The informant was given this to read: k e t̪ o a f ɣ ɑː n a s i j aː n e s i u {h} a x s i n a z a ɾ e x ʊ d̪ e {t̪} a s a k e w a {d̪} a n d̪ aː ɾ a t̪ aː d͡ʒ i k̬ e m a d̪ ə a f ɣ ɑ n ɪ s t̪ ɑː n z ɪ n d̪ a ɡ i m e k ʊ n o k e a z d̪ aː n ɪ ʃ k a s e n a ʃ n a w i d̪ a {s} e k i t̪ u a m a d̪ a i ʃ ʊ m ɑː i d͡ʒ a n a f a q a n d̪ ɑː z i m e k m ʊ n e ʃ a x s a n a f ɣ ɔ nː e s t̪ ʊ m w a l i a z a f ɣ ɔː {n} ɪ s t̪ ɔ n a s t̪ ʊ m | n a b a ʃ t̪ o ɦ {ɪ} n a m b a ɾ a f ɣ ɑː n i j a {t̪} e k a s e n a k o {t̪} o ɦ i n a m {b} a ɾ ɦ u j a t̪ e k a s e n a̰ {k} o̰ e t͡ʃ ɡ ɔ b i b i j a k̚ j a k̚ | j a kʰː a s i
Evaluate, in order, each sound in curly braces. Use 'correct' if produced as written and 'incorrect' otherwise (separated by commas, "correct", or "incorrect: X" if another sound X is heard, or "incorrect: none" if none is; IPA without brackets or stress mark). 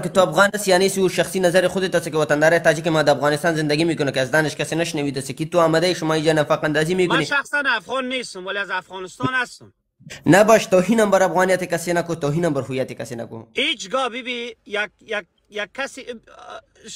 incorrect: ʃ, correct, incorrect: t̪, correct, correct, incorrect: i, correct, correct, correct, correct